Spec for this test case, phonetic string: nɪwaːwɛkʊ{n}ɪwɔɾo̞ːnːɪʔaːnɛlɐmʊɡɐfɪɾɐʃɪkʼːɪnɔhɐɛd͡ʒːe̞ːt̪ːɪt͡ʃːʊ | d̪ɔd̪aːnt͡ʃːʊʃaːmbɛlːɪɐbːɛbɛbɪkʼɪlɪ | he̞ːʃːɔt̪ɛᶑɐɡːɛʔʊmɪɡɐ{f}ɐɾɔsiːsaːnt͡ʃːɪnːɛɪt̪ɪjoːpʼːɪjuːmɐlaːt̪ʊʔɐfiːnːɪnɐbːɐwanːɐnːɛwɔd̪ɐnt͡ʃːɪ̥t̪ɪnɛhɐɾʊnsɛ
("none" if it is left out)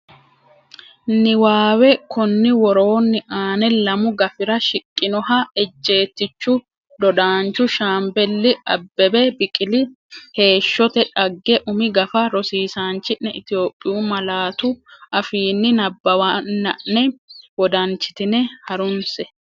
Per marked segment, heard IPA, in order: nː, f

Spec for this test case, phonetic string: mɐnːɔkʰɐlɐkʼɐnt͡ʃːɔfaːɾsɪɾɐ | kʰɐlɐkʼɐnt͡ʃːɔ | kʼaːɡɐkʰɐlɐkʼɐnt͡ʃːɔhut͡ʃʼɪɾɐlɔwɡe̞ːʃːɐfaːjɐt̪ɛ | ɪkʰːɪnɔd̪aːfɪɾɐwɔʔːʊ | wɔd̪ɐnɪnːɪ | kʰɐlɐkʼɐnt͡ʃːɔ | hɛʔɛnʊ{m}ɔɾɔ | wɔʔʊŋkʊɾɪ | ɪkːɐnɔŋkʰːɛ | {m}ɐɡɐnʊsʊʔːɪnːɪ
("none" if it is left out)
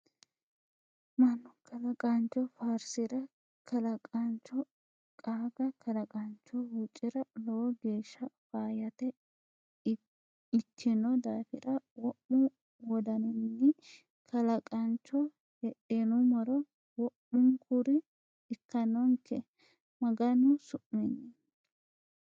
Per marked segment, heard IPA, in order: m, m

